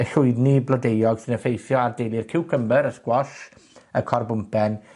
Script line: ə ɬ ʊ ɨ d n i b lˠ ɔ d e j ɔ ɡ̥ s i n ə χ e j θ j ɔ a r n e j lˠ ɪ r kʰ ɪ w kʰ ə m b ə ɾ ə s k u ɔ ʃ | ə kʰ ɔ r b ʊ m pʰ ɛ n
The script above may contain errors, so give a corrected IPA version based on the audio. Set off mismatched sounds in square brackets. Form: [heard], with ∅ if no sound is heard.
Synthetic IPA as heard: ə ɬ ʊ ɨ d n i b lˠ ɔ d e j ɔ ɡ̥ s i n ə [f] e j θ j ɔ a r [d] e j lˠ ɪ r kʰ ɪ w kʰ ə m b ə ɾ ə s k [w] ɔ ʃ | ə kʰ ɔ r b ʊ m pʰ ɛ n